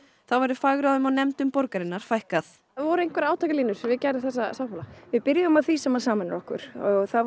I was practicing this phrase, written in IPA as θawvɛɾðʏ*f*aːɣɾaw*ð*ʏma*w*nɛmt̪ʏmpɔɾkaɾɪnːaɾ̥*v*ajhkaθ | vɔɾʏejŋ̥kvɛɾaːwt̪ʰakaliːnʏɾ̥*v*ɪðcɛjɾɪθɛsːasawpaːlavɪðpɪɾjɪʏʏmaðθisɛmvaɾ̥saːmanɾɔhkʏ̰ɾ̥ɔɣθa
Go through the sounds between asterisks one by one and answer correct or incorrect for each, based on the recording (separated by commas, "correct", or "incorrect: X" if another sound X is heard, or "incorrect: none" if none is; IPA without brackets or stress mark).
correct, correct, correct, incorrect: f, correct